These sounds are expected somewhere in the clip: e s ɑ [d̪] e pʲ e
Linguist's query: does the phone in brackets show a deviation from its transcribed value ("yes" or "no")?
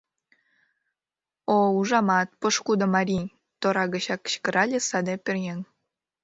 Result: no